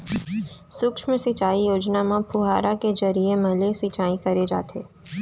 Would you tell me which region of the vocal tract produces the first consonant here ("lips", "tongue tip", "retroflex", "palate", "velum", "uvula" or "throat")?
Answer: tongue tip